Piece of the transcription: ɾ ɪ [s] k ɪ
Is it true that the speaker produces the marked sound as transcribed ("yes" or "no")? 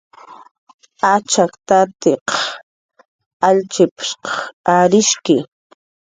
no